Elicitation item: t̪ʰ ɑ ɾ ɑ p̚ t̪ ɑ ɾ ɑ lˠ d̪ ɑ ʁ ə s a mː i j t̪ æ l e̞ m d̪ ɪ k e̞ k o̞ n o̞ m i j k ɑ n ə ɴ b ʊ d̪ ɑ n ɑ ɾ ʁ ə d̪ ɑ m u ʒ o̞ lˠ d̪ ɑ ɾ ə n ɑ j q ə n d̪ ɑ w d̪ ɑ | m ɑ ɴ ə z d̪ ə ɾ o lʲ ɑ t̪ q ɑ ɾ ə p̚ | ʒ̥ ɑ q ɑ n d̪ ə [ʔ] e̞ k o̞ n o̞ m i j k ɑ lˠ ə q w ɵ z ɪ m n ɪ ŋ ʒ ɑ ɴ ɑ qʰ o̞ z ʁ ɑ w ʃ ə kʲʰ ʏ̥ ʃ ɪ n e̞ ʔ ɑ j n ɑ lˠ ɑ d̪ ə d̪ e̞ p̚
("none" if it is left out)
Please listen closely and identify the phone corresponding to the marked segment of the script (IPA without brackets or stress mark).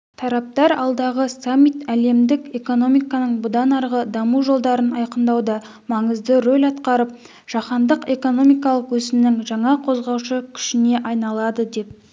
q